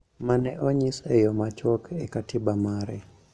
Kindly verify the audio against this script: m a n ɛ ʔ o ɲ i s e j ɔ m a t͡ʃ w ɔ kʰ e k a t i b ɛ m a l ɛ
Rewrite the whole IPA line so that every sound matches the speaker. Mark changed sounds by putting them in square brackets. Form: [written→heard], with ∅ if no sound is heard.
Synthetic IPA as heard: m a n ɛ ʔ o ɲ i s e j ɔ m a t͡ʃ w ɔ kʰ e k a t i b [ɛ→a] m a [l→ɾ] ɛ